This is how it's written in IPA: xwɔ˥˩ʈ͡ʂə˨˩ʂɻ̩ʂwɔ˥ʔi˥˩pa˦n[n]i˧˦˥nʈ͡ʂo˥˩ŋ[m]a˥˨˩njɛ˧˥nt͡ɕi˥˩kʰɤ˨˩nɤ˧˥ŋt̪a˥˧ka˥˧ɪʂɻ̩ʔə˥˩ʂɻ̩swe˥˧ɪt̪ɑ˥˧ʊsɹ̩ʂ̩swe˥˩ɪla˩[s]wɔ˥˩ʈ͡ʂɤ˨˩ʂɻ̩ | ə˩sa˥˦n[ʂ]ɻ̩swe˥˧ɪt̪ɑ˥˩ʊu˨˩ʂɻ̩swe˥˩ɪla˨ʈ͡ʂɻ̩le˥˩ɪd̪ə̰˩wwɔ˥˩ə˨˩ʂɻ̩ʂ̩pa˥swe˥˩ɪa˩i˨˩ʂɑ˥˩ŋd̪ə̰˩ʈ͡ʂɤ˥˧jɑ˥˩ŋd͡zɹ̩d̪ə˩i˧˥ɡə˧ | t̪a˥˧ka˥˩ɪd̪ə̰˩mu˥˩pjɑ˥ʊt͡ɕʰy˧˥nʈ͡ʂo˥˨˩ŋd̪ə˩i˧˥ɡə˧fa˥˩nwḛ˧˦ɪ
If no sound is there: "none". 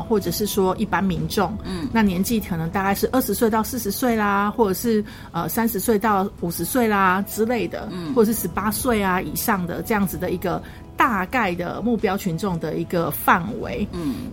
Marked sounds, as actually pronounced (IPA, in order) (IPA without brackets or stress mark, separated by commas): m, n, x, ʂ